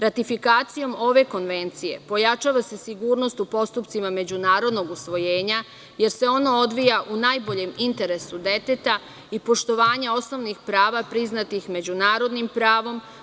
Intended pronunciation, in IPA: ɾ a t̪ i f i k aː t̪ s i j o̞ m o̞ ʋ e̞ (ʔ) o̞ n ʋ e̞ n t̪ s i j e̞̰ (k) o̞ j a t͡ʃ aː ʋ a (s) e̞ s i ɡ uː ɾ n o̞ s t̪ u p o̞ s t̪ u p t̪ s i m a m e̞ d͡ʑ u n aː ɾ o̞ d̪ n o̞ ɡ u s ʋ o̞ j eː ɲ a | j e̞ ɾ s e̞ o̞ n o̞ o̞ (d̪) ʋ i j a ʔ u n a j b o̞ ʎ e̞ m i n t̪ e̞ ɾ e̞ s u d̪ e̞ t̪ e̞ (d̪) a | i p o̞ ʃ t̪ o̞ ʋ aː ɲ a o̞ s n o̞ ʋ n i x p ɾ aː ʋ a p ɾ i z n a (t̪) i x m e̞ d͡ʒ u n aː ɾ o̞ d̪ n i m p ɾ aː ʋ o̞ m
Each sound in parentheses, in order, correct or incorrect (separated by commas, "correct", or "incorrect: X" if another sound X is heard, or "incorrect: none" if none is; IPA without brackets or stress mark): incorrect: k, incorrect: p, correct, correct, incorrect: t̪, correct